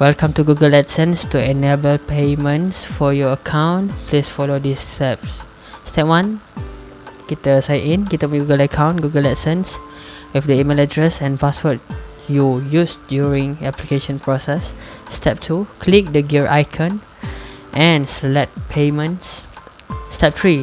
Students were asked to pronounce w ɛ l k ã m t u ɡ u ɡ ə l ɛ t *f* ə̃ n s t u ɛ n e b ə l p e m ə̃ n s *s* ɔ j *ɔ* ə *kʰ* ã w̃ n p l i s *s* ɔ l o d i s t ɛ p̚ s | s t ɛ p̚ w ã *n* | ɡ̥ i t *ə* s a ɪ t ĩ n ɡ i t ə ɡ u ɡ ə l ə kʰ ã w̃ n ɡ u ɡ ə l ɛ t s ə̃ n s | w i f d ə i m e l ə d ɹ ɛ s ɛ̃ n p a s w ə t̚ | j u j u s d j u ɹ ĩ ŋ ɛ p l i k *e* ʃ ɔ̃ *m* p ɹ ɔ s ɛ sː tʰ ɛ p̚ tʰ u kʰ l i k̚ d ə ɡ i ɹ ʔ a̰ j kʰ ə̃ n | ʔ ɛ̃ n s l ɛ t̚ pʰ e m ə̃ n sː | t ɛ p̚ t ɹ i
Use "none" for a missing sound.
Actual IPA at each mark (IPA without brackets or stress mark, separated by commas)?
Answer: s, f, ɔ, kʰ, f, n, ə, e, n